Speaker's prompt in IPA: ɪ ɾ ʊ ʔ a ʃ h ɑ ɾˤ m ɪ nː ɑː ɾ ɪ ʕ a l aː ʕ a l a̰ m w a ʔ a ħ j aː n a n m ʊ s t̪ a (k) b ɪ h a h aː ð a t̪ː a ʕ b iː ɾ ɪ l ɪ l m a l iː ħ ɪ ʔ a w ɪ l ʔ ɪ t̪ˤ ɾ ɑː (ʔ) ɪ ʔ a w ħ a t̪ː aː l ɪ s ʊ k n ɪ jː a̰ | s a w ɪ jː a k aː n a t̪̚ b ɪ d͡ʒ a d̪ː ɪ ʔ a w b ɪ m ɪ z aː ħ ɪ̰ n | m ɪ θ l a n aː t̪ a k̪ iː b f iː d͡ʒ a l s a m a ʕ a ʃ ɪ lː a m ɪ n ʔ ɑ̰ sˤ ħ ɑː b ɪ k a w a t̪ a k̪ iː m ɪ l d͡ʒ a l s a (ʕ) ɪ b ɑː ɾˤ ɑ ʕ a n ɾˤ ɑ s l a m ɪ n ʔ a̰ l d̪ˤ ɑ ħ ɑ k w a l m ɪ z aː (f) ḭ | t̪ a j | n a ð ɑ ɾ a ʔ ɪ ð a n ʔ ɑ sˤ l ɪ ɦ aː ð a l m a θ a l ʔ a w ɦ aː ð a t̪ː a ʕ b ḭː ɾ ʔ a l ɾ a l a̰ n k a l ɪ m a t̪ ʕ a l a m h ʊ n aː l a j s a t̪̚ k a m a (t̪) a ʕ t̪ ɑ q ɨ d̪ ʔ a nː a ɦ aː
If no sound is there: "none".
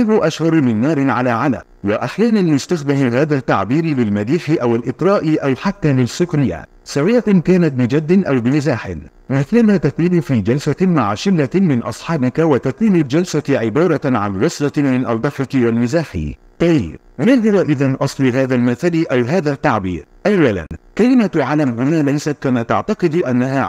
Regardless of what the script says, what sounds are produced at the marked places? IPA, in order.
x, ʔ, ʕ, ħ, t̪

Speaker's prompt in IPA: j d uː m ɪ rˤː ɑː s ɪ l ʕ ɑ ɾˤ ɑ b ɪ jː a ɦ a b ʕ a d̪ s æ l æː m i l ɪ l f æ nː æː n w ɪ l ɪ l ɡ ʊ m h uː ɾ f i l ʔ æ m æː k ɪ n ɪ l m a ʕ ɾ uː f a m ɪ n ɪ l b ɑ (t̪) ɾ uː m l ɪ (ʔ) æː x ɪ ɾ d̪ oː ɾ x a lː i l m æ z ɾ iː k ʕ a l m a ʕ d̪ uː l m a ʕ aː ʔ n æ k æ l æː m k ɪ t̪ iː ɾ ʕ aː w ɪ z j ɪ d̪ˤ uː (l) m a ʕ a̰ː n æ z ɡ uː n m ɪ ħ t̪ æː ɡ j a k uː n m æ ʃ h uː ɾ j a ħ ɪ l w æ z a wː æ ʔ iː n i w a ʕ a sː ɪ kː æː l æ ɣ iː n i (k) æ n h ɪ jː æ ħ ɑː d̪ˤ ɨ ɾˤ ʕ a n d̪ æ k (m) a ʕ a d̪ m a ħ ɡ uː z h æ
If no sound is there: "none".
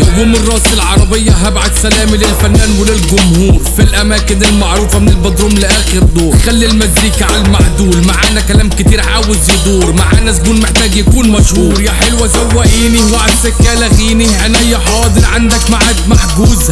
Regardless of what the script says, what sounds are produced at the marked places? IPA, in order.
d̪, ʔ, ɾ, ʔ, m

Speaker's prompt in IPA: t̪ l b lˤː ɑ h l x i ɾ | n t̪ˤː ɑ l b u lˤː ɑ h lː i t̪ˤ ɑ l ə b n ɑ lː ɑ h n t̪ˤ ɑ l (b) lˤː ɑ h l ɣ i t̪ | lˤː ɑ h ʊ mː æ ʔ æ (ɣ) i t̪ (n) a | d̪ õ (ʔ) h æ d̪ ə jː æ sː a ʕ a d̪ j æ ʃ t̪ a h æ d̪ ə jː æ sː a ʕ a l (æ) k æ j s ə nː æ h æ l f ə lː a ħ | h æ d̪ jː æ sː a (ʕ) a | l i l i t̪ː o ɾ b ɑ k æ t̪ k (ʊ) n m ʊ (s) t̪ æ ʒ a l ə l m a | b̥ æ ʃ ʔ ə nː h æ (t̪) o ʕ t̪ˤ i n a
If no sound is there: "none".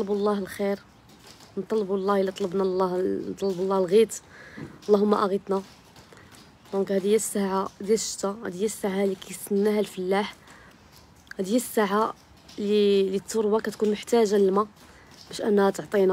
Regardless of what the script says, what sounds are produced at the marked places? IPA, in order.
b, ɣ, n, k, i, ʕ, u, ħ, t̪

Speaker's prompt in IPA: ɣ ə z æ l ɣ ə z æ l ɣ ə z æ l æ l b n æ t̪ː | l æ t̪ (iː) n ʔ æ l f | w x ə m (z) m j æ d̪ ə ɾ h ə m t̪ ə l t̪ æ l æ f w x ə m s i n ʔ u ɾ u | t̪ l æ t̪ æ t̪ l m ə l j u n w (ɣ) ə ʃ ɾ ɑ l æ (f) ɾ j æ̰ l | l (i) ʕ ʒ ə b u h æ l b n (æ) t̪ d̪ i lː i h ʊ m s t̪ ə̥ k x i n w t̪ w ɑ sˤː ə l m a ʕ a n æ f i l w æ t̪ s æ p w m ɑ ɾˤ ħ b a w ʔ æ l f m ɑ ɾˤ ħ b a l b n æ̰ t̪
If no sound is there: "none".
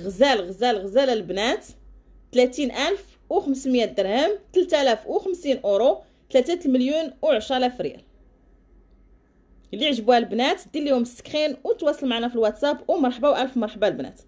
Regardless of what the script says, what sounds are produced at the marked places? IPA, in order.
i, s, ʕ, f, i, æ

